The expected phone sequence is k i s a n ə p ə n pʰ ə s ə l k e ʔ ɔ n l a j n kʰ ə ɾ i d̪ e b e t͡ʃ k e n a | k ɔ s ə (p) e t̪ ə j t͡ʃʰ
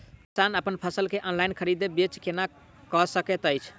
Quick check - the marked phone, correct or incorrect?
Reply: incorrect: k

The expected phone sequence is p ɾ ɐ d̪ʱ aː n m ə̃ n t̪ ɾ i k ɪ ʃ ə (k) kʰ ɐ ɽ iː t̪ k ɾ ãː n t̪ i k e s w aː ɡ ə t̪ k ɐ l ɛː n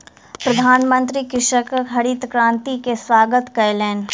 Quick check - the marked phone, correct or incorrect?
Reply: correct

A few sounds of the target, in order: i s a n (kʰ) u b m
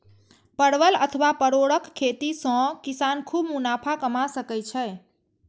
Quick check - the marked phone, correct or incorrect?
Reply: correct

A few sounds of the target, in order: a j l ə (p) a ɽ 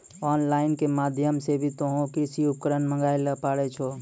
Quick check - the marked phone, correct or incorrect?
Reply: correct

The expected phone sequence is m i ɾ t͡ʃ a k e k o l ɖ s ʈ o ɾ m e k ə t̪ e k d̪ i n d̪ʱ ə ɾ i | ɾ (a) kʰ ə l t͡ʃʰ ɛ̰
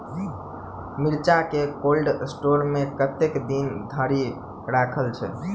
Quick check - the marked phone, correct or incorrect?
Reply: correct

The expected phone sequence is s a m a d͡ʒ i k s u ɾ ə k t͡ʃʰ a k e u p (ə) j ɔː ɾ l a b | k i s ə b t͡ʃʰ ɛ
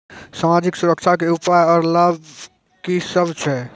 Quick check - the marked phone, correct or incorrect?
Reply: incorrect: a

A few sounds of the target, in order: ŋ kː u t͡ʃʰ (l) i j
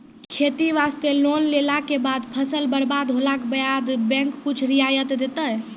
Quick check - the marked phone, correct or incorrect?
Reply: incorrect: ɾ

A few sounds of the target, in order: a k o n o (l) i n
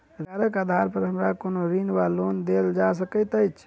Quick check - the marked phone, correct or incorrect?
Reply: incorrect: ɾ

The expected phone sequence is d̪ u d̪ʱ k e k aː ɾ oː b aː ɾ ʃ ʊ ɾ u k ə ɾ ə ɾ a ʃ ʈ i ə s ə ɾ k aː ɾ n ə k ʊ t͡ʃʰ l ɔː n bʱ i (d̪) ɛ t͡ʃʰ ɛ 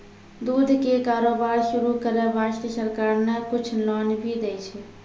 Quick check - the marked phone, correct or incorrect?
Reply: correct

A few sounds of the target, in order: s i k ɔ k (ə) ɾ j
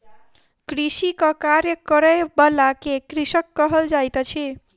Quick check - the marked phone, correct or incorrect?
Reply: incorrect: a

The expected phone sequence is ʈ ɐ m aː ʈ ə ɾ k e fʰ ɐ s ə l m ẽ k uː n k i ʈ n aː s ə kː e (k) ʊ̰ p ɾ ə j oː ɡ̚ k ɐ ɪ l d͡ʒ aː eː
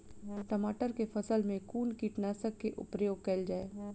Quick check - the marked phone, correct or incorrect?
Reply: incorrect: ʔ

